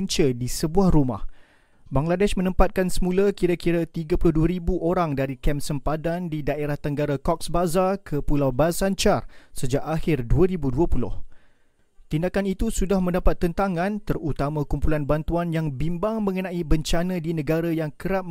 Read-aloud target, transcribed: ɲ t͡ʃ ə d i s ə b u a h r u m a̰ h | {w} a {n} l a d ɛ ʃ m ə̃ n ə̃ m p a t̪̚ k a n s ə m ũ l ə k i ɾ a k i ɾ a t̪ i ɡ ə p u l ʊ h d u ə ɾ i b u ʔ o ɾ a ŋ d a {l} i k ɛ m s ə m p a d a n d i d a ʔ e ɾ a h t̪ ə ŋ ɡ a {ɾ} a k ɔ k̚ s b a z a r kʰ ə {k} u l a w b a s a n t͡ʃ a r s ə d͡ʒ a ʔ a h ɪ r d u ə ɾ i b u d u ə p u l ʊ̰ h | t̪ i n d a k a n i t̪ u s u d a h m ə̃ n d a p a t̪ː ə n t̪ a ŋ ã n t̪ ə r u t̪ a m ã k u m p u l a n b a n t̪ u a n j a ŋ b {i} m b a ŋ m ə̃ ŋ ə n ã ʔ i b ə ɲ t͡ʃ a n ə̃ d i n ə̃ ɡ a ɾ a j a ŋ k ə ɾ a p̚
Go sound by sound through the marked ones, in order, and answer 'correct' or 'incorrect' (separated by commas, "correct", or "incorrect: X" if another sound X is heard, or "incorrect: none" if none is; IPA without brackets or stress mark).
incorrect: b, incorrect: ŋ, incorrect: ɾ, correct, incorrect: p, correct